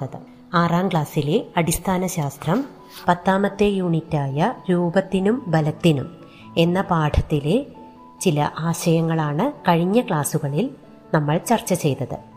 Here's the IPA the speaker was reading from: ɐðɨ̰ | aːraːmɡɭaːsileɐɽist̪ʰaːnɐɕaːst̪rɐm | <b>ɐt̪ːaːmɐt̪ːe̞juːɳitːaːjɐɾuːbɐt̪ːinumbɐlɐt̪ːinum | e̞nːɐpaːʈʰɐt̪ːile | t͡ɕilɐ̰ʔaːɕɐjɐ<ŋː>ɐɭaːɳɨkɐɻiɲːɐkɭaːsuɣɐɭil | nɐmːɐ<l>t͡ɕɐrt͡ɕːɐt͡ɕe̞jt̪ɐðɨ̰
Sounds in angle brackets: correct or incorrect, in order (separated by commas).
incorrect, correct, incorrect